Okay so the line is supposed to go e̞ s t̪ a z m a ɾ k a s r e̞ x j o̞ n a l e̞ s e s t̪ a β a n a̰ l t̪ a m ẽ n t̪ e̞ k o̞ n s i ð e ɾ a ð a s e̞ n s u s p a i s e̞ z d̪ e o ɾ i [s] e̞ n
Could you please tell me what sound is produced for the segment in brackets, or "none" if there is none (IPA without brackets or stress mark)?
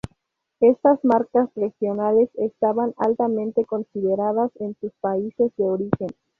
x